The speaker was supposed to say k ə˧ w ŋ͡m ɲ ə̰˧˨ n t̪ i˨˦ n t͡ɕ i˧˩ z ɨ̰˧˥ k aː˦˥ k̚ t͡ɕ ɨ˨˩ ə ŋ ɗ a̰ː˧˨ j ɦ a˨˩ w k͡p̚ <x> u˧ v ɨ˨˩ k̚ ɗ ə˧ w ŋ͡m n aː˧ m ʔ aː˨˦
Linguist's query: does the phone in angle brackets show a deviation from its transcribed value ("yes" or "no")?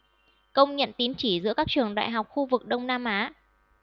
no